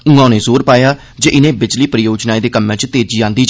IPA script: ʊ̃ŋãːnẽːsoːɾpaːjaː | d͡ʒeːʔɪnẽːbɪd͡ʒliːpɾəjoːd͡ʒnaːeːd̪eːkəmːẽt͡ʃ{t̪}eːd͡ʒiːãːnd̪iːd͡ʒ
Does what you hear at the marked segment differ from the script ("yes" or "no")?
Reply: no